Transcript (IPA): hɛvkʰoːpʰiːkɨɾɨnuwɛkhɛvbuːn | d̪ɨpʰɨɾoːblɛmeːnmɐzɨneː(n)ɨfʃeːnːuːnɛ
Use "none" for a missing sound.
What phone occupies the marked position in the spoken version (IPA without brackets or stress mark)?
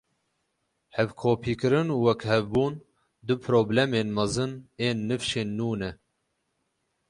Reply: nː